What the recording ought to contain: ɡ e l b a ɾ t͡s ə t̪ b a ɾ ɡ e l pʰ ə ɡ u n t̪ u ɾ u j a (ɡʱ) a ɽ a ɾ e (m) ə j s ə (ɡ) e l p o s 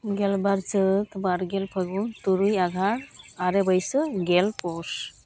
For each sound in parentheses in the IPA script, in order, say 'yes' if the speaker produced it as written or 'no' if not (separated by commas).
yes, no, yes